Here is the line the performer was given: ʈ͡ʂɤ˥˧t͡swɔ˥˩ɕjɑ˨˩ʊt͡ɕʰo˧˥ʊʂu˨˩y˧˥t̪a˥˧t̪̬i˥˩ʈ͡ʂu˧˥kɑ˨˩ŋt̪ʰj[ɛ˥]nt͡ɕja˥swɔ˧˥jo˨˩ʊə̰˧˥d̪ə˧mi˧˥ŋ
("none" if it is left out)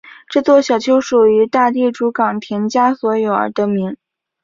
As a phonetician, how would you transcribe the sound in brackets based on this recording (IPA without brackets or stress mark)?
ɛ˧˥